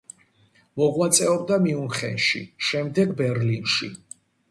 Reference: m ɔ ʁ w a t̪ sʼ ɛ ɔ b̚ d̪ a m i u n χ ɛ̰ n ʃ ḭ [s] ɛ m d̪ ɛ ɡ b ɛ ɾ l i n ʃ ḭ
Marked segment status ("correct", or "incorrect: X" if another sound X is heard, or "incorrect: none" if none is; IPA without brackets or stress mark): incorrect: ʃ